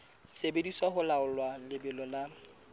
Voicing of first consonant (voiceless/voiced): voiceless